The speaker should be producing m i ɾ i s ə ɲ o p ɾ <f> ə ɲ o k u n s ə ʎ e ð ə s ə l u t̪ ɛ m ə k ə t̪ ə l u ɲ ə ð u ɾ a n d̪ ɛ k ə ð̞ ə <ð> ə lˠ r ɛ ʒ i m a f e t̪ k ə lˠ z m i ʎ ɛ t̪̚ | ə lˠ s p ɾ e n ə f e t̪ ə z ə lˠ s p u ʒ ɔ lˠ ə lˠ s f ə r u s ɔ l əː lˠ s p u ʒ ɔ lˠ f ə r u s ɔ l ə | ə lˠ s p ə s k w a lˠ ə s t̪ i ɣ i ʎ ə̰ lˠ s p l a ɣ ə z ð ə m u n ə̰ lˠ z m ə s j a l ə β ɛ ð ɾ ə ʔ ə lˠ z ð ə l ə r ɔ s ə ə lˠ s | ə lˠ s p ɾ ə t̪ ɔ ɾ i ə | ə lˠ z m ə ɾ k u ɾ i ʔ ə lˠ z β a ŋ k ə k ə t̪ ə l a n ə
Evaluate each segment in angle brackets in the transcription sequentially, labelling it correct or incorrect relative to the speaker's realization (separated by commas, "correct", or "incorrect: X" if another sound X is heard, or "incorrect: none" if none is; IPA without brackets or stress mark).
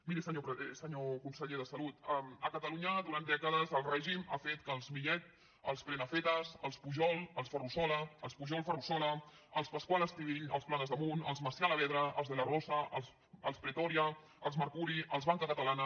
incorrect: s, incorrect: z